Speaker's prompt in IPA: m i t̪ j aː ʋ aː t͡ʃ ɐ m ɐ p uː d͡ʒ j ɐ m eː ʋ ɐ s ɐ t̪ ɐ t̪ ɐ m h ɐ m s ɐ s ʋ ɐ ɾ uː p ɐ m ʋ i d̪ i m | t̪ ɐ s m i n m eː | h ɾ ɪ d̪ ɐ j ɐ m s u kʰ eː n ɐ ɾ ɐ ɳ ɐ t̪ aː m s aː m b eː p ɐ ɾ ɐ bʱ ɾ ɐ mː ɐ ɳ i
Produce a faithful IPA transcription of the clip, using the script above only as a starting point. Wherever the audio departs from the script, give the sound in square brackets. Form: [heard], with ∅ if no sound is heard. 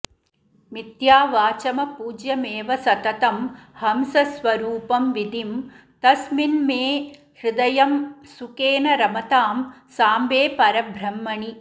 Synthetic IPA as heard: m i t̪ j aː ʋ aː t͡ʃ ɐ m ɐ p uː d͡ʒ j ɐ m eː ʋ ɐ s ɐ t̪ ɐ t̪ ɐ m h ɐ m s ɐ s ʋ ɐ ɾ uː p ɐ m ʋ i d̪ i m | t̪ ɐ s m i n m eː | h ɾ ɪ d̪ ɐ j ɐ m s u [k] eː n ɐ ɾ ɐ [m] ɐ t̪ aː m s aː m b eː p ɐ ɾ ɐ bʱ ɾ ɐ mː ɐ ɳ i